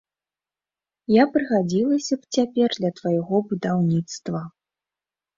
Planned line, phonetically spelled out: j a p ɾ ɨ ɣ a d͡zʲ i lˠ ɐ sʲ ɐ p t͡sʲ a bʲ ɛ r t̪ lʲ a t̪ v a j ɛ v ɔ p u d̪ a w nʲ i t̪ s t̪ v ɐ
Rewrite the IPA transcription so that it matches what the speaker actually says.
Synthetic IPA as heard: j a p ɾ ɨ ɣ a d͡zʲ i lˠ ɐ sʲ ɐ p t͡sʲ a pʲ ɛ r d̪ lʲ ɐ t̪ v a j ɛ ɣ ɔ b u d̪ a w nʲ i t̪ s t̪ v ɐ